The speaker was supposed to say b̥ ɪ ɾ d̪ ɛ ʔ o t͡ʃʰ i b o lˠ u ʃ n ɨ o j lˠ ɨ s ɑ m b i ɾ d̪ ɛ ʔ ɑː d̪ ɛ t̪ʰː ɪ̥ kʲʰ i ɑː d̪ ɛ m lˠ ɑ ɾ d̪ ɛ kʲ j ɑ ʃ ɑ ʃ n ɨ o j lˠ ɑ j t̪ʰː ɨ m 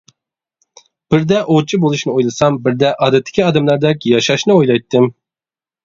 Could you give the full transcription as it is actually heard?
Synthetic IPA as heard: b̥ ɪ ɾ d̪ ɛ ʔ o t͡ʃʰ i b o lˠ u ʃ n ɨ o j lˠ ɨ s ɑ m b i ɾ d̪ ɛ ʔ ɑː d̪ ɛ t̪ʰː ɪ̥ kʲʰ i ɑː d̪ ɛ m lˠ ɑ ɾ d̪ ɛ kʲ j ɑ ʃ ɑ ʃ n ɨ o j lˠ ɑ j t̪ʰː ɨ m